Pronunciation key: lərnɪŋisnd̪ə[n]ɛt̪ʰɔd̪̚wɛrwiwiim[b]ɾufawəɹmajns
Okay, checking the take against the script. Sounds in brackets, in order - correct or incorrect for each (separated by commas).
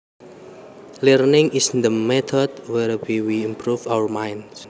incorrect, incorrect